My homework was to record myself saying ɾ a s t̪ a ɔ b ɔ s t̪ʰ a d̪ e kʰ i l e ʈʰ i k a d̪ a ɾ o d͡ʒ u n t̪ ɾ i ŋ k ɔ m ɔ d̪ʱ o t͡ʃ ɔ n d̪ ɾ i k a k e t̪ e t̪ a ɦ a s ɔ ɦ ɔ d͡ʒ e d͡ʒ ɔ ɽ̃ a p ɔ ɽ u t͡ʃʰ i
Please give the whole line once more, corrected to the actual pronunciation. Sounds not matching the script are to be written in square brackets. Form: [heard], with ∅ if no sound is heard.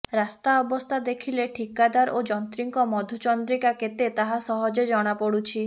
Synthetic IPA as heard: ɾ a s t̪ a ɔ b ɔ s t̪ʰ a d̪ e kʰ i l e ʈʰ i k a d̪ a ɾ o d͡ʒ [ɔ] n t̪ ɾ i ŋ k ɔ m ɔ d̪ʱ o t͡ʃ ɔ n d̪ ɾ i k a k e t̪ e t̪ a ɦ a s ɔ ɦ ɔ d͡ʒ e d͡ʒ ɔ ɽ̃ a p ɔ ɽ u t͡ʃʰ i